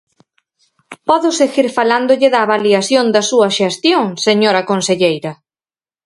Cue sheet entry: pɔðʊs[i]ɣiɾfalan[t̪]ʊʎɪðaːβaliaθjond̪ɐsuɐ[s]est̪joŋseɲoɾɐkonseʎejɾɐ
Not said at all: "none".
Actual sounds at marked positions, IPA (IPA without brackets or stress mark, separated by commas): e, d̪, ʃ